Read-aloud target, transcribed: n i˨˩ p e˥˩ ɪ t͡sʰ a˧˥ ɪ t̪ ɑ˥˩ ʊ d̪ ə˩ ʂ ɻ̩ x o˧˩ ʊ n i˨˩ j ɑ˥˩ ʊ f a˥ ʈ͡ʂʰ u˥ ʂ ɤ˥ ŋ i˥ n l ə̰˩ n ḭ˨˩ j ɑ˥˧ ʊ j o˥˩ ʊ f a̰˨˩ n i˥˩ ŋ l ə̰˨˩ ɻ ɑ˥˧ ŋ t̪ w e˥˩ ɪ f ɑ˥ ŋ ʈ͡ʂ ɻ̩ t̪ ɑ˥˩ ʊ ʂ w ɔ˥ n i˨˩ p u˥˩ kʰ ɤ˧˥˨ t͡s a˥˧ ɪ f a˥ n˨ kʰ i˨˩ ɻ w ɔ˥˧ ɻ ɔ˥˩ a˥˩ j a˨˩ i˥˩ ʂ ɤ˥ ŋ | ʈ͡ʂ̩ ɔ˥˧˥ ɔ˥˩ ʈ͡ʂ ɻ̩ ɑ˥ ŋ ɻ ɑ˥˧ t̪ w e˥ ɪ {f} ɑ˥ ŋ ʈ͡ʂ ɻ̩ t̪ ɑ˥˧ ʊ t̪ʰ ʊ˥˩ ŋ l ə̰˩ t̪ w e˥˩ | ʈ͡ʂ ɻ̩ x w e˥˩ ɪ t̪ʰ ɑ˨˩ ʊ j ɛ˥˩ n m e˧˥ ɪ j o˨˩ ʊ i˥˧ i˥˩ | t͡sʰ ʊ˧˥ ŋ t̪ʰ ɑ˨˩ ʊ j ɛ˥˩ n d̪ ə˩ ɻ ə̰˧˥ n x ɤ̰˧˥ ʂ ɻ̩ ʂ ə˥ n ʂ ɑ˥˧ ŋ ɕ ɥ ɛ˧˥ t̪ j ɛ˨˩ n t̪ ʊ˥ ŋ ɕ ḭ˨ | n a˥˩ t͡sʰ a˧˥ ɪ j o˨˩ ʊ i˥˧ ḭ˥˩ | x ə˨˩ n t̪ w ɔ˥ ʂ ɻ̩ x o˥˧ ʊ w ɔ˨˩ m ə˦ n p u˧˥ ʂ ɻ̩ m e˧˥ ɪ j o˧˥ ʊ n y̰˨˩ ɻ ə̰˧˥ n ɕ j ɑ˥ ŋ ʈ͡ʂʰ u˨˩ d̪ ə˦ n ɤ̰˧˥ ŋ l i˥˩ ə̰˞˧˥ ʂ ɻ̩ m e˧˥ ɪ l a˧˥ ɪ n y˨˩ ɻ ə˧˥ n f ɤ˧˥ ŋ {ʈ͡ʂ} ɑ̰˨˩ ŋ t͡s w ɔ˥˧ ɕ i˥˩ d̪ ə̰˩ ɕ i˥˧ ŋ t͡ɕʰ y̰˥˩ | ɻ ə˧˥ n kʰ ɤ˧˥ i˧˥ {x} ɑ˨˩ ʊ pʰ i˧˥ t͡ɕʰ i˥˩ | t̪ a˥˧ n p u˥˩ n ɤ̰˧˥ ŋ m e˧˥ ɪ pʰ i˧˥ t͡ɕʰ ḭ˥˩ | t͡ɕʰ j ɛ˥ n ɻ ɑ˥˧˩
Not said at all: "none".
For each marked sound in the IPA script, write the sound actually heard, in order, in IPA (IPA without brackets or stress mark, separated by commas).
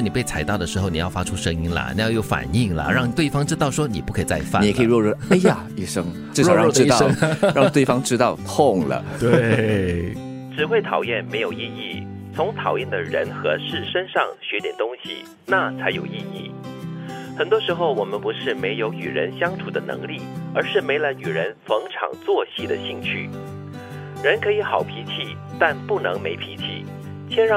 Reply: f, ʈ͡ʂʰ, x